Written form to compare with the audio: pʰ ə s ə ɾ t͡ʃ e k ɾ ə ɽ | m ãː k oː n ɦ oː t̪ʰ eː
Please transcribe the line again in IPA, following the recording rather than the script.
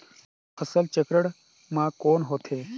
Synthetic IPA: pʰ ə s ə l t͡ʃ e k ɾ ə ɽ | m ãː k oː n ɦ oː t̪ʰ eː

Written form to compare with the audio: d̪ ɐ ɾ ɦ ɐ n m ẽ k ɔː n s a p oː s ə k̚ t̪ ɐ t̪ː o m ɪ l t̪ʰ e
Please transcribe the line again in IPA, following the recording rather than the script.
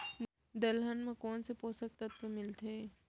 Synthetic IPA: d̪ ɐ l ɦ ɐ n m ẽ k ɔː n s e p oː s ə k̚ t̪ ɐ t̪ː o m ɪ l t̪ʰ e

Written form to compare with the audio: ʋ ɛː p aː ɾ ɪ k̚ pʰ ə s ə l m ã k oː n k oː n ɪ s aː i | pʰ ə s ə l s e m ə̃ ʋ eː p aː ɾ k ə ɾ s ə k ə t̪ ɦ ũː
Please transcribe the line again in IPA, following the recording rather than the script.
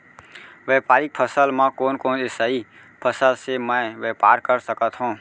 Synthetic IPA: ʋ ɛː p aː ɾ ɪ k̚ pʰ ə s ə l m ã k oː n k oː n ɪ s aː i | pʰ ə s ə l s e m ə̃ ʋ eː p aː ɾ k ə ɾ s ə k ə t̪ ɦ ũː

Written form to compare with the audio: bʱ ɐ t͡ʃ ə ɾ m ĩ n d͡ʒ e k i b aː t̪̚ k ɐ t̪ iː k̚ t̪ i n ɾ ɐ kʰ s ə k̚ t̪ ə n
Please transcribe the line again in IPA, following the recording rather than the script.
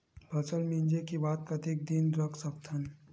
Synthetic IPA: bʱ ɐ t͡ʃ ə l m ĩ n d͡ʒ e k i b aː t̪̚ k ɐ t̪ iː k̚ d̪ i n ɾ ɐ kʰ s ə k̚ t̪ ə n

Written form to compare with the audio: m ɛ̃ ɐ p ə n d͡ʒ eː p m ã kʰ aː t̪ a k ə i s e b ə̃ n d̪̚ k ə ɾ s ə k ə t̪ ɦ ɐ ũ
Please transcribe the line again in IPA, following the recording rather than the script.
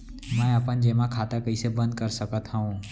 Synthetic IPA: m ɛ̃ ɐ p ə n d͡ʒ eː m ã kʰ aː t̪ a k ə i s e b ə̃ n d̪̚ k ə ɾ s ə k ə t̪ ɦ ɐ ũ

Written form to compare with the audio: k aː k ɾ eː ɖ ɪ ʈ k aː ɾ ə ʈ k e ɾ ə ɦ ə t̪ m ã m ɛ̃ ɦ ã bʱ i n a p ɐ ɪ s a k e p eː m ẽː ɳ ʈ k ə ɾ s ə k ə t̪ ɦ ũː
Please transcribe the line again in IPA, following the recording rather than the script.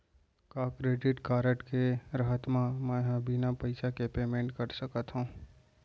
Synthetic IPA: k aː k ɾ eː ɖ ɪ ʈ k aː ɾ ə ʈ k e ɾ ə ɦ ə t̪ m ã m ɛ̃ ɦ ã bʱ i n a p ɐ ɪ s a k e p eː m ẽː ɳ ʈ k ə ɾ s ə k ə t̪ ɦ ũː

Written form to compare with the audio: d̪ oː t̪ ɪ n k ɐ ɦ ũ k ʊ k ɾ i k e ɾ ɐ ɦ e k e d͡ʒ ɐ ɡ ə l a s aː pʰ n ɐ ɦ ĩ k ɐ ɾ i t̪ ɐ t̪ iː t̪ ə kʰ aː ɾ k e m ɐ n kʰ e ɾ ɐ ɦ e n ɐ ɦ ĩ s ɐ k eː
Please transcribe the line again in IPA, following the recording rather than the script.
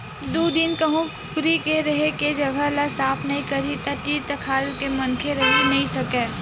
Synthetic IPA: d̪ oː d̪ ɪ n k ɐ ɦ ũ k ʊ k ɾ i k e ɾ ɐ ɦ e k e d͡ʒ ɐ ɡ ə l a s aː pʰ n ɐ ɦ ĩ k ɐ ɾ i t̪ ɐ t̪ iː t̪ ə kʰ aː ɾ k e m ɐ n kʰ e ɾ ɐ ɦ e n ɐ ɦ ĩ s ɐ k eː

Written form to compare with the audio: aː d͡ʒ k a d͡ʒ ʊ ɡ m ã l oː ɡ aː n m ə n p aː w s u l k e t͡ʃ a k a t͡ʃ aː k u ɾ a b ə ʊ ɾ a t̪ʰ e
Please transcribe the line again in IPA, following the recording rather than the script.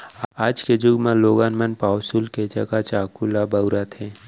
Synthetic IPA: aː d͡ʒ k e d͡ʒ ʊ ɡ m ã l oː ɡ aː n m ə n p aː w s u l k e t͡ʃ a k a t͡ʃ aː k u l a b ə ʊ ɾ a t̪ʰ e

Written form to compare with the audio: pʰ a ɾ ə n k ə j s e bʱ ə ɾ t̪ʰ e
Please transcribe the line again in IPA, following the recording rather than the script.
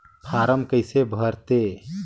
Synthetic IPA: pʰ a ɾ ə m k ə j s e bʱ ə ɾ t̪ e

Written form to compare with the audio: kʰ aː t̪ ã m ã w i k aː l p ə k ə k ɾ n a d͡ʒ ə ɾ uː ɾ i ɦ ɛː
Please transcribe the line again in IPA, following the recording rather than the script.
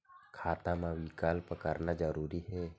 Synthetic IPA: kʰ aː t̪ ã m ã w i k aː l p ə k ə ɾ n a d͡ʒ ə ɾ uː ɾ i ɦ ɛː

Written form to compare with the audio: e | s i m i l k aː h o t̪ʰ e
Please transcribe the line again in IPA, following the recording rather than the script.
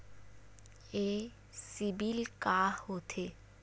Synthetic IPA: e | s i b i l k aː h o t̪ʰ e

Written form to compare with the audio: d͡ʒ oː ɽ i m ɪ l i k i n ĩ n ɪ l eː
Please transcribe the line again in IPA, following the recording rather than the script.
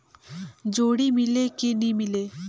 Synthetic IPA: d͡ʒ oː ɽ i m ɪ l e k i n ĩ m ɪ l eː

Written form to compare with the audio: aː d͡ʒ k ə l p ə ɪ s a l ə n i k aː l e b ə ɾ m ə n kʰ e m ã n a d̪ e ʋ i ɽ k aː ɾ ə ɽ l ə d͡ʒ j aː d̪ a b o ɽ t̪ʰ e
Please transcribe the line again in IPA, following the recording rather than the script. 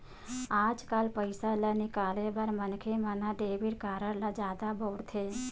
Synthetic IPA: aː d͡ʒ k a l p ə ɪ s a l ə n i k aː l e b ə ɾ m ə n kʰ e m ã n a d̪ e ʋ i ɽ k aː ɾ ə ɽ l a d͡ʒ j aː d̪ a b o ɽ t̪ʰ e

